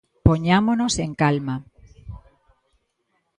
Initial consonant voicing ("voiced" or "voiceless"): voiceless